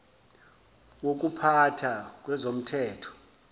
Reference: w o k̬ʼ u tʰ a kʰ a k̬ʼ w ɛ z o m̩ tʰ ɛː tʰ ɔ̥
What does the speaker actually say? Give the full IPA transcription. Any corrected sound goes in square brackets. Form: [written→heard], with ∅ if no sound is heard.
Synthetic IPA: w o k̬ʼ u [tʰ→pʰ] a [kʰ→tʰ] a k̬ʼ w ɛ z o m̩ tʰ ɛː tʰ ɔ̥